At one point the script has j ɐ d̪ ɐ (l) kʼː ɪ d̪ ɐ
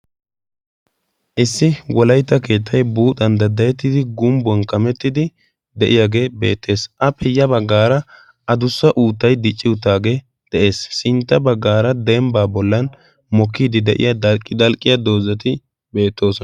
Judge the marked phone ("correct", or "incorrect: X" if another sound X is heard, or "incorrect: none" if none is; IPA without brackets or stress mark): correct